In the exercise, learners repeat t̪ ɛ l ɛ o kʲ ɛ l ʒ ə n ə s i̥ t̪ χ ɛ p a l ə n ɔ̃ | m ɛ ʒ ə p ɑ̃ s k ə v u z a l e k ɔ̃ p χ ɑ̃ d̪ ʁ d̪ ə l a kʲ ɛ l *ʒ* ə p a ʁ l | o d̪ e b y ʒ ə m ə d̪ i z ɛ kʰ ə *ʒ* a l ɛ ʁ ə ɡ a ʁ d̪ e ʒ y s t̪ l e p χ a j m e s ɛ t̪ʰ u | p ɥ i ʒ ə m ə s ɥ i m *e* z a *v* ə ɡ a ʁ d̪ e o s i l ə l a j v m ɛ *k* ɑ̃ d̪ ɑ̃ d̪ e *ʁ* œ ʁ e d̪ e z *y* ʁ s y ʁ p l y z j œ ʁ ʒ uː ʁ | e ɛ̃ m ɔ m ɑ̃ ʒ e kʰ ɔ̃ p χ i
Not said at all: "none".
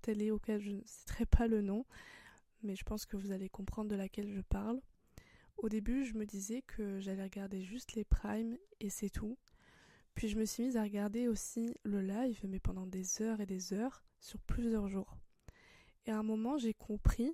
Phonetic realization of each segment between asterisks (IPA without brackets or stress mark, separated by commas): ʒ, ʒ, i, ʁ, p, z, œ